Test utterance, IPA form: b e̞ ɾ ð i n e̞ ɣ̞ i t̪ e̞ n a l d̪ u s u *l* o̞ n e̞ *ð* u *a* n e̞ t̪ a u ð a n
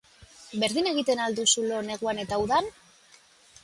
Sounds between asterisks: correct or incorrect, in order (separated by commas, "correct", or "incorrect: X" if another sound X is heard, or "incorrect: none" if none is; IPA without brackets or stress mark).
correct, incorrect: ɣ, correct